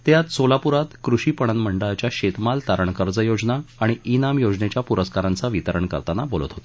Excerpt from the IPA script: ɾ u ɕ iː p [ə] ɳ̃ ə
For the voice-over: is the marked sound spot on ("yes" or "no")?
yes